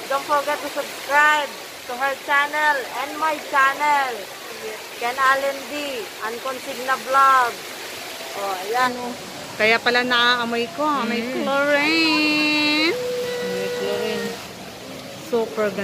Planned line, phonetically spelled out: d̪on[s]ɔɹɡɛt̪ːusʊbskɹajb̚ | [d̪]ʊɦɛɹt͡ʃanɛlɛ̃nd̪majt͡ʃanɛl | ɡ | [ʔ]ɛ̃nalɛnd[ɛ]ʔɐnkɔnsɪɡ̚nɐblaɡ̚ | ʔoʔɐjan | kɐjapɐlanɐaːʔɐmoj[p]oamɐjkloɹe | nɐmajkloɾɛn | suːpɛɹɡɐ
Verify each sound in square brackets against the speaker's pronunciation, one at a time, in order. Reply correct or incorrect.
incorrect, incorrect, incorrect, incorrect, incorrect

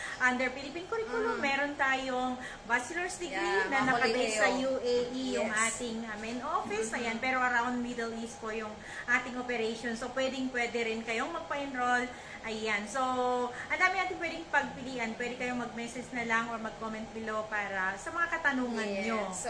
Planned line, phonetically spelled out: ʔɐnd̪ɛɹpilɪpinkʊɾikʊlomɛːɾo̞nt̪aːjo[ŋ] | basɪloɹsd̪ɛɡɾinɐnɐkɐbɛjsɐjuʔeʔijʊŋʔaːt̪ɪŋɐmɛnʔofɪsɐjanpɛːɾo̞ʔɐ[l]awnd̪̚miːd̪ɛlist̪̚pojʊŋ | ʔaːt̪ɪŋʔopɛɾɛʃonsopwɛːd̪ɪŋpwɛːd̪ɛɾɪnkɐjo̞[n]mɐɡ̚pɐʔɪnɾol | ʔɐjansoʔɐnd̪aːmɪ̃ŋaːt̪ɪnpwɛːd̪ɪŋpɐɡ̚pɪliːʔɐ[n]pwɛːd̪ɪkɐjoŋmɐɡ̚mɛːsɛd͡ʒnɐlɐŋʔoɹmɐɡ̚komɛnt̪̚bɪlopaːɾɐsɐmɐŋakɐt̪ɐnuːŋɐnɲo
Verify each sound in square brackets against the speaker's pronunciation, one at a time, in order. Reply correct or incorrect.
correct, incorrect, incorrect, correct

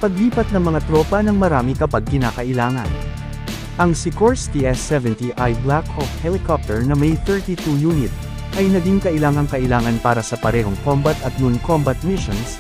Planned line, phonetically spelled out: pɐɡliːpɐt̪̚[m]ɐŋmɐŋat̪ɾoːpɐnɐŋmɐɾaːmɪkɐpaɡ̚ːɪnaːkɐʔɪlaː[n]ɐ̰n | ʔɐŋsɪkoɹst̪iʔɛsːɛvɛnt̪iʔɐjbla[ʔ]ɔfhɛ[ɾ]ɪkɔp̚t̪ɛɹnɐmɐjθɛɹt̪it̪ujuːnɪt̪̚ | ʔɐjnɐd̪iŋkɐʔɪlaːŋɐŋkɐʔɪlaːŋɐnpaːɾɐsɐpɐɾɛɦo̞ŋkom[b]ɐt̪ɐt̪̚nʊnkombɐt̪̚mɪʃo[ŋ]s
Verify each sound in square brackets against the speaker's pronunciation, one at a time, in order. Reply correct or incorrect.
incorrect, incorrect, incorrect, incorrect, correct, incorrect

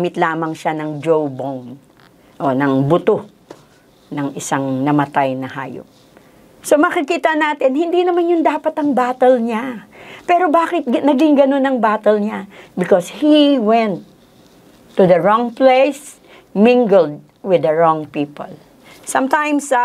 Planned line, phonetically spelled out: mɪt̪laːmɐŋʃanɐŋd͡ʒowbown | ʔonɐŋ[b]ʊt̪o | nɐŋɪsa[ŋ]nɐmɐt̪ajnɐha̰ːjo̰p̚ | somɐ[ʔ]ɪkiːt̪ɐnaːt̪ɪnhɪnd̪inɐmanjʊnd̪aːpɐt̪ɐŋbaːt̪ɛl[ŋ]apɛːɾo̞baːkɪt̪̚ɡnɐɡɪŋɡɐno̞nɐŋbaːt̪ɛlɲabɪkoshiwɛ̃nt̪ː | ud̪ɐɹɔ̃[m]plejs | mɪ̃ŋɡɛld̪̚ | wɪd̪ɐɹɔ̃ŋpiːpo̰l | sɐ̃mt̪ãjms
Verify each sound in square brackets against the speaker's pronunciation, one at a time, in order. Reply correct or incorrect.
correct, correct, incorrect, incorrect, incorrect

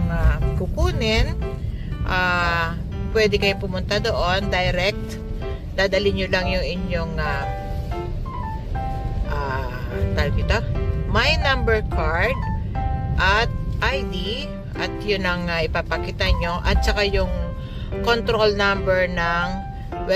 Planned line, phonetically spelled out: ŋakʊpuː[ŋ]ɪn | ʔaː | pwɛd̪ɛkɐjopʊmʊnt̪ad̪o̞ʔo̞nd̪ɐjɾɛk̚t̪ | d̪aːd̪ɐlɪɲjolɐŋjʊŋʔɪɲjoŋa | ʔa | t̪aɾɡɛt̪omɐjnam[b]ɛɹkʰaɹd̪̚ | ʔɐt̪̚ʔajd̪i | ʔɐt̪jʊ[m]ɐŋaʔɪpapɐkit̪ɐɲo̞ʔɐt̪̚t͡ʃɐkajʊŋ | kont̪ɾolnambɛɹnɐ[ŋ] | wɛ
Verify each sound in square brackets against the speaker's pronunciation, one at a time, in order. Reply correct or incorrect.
incorrect, correct, incorrect, correct

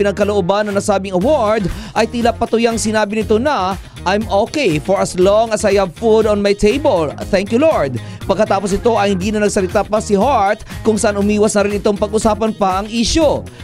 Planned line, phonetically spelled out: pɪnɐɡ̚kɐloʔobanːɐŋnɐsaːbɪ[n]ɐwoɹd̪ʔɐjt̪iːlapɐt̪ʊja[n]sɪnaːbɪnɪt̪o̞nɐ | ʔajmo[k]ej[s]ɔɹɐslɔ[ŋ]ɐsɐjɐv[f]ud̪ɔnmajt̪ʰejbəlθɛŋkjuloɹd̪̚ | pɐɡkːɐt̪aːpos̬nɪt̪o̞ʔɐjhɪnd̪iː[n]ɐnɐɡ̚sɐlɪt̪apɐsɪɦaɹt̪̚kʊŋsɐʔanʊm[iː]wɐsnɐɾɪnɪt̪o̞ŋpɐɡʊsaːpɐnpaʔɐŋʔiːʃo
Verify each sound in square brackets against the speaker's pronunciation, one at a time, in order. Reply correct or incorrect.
incorrect, incorrect, correct, incorrect, correct, correct, correct, correct

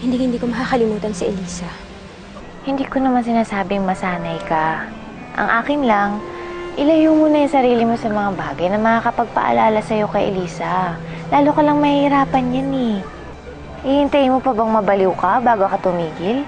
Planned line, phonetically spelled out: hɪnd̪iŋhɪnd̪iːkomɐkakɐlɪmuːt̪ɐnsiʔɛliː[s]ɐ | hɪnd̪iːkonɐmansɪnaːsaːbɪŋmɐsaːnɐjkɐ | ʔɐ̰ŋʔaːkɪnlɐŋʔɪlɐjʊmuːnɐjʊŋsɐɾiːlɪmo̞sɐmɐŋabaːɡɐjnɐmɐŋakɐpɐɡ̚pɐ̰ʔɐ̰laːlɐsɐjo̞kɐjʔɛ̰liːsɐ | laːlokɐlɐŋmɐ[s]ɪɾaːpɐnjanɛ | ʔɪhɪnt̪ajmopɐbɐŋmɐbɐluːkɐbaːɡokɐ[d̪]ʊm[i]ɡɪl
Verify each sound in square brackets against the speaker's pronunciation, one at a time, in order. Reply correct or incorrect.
correct, incorrect, incorrect, incorrect

